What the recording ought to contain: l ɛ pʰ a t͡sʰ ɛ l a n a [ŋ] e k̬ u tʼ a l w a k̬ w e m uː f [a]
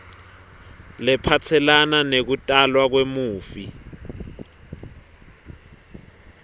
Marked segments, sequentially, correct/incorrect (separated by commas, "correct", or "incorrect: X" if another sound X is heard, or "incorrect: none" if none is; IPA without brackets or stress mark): incorrect: n, incorrect: i